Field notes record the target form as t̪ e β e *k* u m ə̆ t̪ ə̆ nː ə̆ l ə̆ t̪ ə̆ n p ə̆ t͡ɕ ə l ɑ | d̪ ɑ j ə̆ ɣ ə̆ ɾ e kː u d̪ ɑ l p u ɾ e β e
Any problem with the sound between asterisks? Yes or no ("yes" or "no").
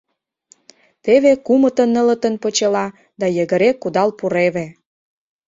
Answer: no